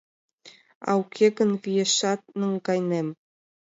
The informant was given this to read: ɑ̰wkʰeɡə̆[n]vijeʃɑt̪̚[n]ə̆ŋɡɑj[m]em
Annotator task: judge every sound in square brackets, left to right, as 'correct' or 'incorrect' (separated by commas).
correct, correct, incorrect